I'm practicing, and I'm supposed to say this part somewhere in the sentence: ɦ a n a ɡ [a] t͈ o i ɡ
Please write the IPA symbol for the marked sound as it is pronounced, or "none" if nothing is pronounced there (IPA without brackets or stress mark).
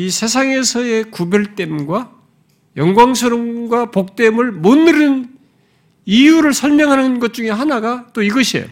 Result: a